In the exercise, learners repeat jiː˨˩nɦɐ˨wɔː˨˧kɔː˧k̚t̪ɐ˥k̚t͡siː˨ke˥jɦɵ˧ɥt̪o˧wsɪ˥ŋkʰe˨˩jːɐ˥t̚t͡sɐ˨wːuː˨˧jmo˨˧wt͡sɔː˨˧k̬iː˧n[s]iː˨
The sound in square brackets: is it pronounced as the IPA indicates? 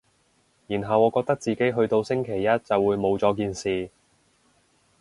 yes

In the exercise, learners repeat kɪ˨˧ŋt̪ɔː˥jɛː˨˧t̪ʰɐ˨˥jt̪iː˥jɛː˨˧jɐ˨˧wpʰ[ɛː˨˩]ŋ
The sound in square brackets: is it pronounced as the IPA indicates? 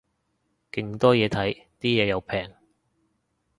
yes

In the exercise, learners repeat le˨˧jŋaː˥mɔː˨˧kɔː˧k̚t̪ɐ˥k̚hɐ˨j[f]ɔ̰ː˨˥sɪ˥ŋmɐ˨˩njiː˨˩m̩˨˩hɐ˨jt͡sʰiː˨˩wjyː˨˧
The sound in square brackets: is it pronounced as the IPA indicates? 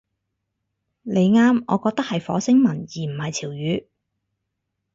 yes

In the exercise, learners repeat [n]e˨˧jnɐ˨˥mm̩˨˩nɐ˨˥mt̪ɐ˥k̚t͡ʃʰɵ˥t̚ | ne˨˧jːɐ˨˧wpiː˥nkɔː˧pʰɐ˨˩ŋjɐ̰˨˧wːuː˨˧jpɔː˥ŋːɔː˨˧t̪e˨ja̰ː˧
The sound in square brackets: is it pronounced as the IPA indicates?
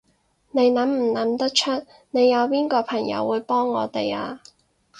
yes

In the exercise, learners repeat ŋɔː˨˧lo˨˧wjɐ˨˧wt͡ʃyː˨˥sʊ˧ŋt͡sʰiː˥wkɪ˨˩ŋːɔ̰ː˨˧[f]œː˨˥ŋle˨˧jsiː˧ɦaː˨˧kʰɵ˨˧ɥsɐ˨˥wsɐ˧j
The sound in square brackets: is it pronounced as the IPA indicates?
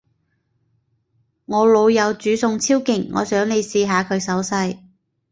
no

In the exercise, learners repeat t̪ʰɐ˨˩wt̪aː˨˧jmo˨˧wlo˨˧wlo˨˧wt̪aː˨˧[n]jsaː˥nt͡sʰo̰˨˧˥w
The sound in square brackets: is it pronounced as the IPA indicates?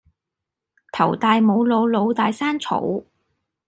no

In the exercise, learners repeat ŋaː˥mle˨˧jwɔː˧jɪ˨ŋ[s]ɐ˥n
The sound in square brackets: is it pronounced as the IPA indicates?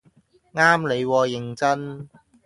no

